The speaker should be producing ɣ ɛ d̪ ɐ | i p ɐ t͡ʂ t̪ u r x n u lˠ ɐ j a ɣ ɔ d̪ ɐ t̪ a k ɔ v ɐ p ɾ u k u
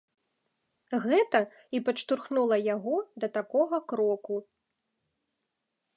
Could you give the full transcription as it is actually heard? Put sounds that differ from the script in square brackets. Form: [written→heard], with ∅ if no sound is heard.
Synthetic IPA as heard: ɣ ɛ [d̪→t̪] ɐ | i p ɐ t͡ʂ t̪ u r x n u lˠ ɐ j a ɣ ɔ d̪ ɐ t̪ a k ɔ [v→ɣ] ɐ [p→k] ɾ [u→ɔ] k u